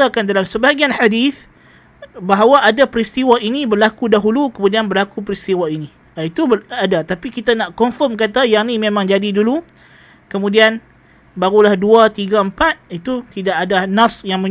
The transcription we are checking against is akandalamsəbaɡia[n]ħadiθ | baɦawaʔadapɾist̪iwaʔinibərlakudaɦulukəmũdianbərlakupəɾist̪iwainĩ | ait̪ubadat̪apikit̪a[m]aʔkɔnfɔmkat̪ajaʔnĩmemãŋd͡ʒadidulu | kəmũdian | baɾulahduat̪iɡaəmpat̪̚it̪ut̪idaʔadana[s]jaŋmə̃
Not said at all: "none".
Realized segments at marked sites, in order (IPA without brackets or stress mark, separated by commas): n, n, s